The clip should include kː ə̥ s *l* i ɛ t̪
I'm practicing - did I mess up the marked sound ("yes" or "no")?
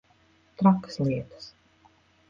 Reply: no